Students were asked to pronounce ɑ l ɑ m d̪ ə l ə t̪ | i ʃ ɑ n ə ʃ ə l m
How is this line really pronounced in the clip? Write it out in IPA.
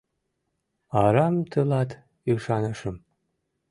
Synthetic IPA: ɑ ɾ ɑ m t̪ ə l ɑ t̪ | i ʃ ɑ n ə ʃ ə m